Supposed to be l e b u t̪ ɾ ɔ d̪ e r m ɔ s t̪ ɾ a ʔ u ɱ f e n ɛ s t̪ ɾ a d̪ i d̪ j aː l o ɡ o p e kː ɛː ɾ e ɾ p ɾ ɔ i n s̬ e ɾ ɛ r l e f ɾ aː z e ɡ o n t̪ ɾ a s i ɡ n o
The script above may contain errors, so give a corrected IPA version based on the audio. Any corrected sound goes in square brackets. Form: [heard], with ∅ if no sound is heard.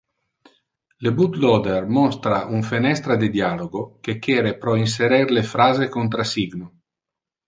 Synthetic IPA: l e b u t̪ [l] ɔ d̪ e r m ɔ s t̪ ɾ a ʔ u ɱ f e n ɛ s t̪ ɾ a d̪ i d̪ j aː l o ɡ o [k] e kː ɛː ɾ e [∅] p ɾ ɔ i n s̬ e ɾ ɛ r l e f ɾ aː z e [k] o n t̪ ɾ a s i ɡ n o